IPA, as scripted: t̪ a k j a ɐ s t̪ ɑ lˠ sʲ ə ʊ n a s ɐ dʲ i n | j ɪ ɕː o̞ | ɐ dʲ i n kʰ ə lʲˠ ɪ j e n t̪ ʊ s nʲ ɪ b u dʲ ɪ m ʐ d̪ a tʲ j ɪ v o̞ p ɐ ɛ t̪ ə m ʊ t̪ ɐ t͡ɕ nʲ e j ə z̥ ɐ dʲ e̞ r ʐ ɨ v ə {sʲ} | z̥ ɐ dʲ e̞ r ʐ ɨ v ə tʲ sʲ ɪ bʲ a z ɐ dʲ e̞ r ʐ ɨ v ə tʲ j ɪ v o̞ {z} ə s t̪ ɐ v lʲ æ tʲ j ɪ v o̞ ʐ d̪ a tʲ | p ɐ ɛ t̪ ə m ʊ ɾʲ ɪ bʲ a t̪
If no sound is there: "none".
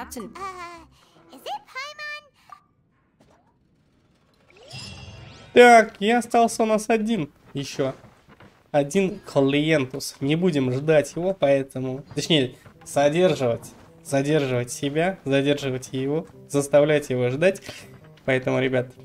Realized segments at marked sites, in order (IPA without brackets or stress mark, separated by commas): tʲ, z